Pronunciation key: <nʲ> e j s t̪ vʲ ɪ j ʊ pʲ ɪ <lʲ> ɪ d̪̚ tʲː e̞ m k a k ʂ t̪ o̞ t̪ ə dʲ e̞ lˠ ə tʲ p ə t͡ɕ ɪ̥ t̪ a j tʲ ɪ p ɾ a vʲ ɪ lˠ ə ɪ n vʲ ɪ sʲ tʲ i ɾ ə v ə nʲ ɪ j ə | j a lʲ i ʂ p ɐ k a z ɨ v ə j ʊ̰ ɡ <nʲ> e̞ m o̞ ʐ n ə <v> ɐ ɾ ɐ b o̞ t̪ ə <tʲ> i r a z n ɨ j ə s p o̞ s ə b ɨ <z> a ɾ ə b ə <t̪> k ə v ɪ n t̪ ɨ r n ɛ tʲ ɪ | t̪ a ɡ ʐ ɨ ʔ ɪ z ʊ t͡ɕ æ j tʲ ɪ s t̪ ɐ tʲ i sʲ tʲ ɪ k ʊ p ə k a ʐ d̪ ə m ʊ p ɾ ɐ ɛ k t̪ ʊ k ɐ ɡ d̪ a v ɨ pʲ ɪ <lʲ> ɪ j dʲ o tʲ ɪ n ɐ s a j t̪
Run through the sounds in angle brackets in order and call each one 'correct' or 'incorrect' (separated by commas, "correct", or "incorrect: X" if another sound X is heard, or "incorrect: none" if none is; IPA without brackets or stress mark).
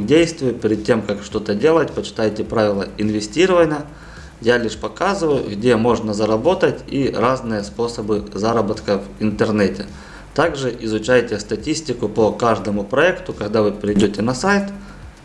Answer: incorrect: dʲ, incorrect: ɾʲ, incorrect: dʲ, incorrect: z, correct, correct, correct, incorrect: ɾʲ